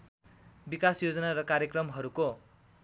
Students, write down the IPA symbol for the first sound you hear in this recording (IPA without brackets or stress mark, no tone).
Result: b